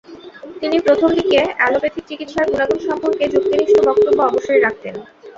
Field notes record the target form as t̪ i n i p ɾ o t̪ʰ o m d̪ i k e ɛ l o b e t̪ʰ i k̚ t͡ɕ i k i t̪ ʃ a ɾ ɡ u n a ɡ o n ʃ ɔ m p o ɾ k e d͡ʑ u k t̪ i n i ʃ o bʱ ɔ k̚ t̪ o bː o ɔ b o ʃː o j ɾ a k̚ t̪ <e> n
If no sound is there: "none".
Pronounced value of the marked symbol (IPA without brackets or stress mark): e